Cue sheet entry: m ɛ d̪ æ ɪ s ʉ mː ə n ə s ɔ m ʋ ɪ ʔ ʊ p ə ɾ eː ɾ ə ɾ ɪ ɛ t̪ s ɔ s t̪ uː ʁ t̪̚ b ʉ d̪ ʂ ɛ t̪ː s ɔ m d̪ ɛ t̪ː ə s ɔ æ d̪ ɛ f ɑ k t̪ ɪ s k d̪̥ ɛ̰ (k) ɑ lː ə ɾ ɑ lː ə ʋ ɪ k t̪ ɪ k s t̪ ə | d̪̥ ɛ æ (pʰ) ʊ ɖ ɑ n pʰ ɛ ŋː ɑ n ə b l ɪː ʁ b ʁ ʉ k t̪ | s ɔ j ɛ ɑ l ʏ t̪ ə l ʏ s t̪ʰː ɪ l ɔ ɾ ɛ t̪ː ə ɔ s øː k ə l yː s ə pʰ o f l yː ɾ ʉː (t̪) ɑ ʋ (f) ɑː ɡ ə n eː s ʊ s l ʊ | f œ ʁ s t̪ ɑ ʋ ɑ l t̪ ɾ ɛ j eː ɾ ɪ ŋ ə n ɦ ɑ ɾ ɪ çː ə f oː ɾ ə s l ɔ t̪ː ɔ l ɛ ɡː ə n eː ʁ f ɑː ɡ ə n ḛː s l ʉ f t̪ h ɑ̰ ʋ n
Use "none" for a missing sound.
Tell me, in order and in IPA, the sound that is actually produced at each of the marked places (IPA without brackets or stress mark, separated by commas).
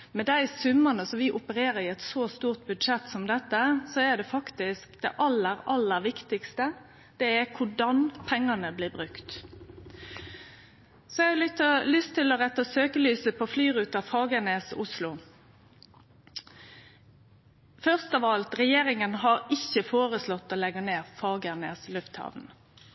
ʔ, kʰ, t̪, f